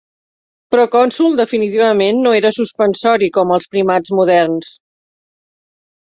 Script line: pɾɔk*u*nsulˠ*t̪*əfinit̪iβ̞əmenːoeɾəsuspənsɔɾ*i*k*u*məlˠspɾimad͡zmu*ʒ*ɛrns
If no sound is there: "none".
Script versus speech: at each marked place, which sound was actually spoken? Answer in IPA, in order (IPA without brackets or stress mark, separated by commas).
ɔ, d̪, i, ɔ, ð